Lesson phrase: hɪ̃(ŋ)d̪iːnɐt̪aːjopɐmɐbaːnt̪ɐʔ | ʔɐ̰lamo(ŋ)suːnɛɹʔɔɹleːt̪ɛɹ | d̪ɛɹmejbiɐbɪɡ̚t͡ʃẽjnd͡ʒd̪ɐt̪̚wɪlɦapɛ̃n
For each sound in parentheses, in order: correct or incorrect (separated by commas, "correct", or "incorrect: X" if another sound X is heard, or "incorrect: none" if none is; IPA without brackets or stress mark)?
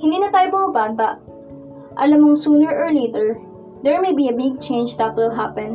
incorrect: n, correct